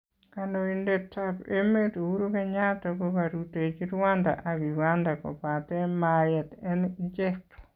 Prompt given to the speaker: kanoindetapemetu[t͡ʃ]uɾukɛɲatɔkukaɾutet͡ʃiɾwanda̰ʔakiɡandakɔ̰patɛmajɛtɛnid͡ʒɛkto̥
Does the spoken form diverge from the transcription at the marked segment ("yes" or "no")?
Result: yes